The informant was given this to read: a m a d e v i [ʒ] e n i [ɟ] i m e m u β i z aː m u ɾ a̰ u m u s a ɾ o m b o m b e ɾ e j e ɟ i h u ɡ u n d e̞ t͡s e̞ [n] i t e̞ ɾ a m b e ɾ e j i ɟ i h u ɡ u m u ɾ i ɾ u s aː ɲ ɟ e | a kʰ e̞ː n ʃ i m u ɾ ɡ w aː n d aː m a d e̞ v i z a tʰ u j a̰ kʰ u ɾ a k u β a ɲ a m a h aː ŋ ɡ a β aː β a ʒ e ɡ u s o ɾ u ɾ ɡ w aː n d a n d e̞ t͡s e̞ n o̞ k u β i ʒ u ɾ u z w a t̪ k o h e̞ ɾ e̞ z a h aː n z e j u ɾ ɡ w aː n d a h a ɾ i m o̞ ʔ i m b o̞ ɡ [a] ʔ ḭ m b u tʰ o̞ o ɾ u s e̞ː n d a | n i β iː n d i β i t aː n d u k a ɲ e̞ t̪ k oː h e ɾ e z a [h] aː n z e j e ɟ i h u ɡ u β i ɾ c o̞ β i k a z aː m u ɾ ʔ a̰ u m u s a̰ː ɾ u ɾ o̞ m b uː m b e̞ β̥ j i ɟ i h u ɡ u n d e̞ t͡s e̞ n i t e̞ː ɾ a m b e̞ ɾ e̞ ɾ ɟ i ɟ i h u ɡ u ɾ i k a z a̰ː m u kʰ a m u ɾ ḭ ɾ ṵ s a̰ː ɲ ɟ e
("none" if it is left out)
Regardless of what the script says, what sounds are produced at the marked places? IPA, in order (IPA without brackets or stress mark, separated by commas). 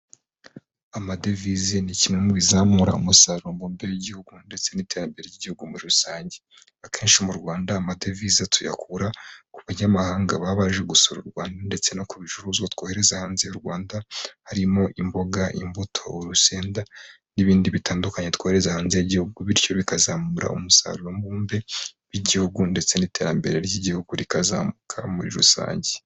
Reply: z, c, n, a, h